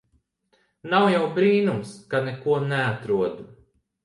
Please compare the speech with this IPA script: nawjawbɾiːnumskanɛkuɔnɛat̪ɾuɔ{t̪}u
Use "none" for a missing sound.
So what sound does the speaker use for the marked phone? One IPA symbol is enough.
d̪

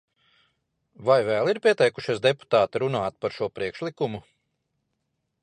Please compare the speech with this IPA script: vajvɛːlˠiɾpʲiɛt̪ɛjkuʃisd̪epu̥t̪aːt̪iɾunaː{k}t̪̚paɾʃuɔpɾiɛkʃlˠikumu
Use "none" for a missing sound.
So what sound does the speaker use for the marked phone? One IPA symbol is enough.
none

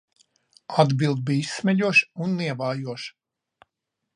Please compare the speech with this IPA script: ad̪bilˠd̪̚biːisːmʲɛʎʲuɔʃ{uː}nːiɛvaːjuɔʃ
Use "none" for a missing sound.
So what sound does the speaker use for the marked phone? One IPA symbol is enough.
u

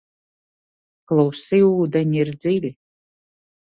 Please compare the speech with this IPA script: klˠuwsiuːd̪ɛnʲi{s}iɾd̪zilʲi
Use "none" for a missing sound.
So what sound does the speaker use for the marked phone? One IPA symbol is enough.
none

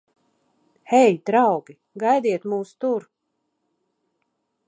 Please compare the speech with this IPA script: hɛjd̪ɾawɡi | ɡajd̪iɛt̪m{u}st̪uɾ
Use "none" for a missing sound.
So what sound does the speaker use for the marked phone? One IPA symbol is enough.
uː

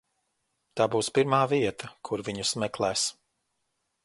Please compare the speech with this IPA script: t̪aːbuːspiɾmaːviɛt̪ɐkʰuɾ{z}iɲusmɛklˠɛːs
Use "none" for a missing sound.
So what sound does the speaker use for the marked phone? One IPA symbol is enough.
v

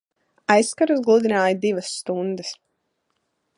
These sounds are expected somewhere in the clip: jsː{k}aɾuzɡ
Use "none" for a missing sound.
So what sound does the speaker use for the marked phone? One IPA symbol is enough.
k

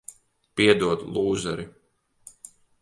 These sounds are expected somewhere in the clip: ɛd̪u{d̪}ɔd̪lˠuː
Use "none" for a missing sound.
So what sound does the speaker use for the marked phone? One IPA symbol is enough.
none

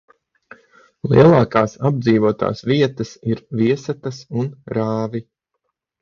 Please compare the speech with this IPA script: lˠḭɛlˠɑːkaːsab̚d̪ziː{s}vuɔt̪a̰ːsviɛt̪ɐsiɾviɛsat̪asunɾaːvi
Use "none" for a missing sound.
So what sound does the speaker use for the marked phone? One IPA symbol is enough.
none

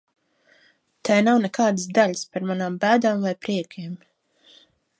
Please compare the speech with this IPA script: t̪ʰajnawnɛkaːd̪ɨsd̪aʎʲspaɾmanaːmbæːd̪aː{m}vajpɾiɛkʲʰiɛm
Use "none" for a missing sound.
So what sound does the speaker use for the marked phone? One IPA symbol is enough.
m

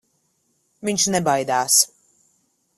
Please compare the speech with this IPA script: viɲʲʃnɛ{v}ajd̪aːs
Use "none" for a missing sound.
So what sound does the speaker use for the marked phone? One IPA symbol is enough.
b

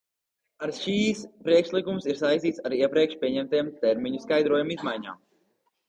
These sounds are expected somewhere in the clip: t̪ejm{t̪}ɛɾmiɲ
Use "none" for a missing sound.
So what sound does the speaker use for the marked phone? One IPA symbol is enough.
t̪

